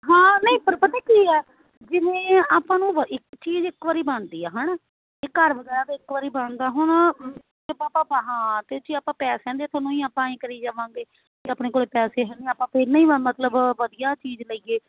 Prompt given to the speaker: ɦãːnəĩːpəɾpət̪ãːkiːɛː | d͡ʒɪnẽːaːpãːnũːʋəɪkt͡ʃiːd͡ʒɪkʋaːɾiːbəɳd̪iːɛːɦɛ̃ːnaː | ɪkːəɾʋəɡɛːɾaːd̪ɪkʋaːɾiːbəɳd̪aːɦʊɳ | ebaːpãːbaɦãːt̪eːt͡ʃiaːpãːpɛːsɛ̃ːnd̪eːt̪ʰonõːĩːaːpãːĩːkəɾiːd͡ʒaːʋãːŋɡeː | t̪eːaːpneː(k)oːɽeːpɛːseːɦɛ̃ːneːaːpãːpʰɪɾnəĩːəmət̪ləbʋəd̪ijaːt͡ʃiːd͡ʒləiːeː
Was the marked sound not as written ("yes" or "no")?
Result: no